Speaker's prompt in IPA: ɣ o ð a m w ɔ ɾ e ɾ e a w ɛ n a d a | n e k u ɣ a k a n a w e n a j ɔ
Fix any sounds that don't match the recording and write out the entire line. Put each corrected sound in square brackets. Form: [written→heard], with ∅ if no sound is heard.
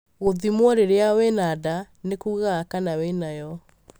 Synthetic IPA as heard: ɣ o ð [a→i] m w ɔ ɾ e ɾ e a w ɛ n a d a | n e k u ɣ a k a n a w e n a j ɔ